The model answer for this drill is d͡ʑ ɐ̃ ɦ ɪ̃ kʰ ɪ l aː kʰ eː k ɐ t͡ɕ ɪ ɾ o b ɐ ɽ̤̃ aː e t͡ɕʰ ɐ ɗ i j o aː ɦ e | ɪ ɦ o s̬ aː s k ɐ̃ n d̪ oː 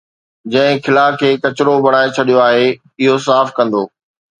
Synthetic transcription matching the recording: d͡ʑ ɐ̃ ɦ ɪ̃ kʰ ɪ l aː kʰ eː k ɐ t͡ɕ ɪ ɾ o b ɐ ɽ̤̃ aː e t͡ɕʰ ɐ ɗ i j o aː ɦ e | ɪ ɦ o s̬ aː f k ɐ̃ n d̪ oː